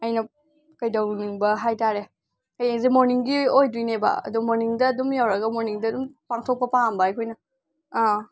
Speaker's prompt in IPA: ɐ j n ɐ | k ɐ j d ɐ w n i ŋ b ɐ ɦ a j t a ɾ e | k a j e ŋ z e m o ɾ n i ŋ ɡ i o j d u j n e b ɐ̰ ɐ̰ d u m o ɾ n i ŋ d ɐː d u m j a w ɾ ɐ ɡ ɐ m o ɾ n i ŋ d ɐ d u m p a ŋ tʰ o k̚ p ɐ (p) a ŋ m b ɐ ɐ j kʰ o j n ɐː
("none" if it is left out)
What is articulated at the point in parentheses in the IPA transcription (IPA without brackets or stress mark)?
p